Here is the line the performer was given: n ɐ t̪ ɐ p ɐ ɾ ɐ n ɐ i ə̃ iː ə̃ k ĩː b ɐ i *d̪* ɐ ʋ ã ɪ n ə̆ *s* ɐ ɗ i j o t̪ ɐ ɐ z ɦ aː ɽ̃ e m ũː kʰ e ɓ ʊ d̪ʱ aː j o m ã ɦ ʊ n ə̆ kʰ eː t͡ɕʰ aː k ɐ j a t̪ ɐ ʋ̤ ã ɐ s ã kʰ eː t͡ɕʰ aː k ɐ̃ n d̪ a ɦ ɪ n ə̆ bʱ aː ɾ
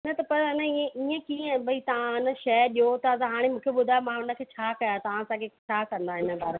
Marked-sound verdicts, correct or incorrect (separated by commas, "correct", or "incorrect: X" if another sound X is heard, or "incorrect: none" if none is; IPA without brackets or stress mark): incorrect: t̪, incorrect: ʃ